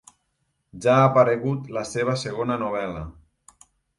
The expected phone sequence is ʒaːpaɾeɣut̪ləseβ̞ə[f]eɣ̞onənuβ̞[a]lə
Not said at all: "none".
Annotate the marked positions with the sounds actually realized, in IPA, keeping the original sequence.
s, ɛ

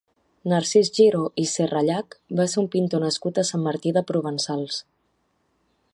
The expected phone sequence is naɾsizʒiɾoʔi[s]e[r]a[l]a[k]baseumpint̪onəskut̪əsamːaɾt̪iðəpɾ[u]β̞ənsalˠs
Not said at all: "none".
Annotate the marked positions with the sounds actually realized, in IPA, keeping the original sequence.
s, r, ʎ, k, u

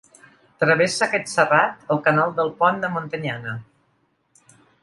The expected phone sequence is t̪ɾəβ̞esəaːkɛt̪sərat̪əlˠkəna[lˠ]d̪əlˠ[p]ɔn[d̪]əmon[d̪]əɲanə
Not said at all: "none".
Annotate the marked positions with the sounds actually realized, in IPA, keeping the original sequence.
lˠ, p, d̪, t̪

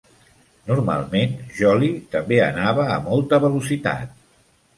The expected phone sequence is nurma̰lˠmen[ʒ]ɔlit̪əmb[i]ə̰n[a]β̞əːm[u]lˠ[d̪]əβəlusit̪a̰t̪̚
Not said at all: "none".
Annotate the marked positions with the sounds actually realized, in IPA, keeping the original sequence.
ʒ, e, a, ɔ, t̪

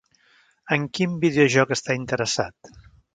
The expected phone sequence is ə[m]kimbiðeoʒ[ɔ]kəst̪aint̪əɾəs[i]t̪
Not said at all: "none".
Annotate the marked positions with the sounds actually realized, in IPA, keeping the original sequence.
ŋ, ɔ, a

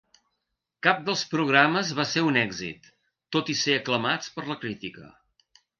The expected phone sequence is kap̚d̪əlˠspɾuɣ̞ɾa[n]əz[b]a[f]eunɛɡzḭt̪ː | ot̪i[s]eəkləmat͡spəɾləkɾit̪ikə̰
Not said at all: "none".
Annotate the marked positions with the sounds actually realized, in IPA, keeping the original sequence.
m, β, s, s

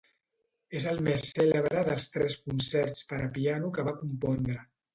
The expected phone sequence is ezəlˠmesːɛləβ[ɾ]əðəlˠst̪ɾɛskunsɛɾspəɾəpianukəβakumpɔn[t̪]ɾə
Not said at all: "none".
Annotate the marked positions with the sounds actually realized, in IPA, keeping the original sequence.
ɾ, d̪

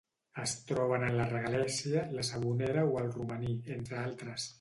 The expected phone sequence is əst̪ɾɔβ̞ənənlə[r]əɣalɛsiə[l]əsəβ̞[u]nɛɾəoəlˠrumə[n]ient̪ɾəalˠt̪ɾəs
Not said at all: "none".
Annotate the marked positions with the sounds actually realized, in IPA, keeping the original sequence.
r, l, u, n

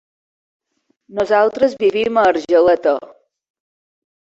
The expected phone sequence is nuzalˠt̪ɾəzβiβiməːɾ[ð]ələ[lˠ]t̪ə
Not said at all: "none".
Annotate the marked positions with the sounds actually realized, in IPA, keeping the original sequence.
ʒ, none

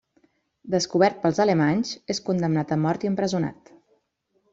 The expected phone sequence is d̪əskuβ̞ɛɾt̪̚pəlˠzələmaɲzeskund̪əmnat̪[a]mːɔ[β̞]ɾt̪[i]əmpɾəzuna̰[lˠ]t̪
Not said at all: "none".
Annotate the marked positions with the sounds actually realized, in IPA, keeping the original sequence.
ə, none, i, none

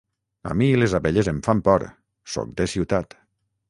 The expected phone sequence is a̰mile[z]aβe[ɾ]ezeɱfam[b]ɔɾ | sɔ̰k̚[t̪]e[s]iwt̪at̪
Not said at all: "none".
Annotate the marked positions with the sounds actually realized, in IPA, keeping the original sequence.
z, ʎ, p, d̪, s

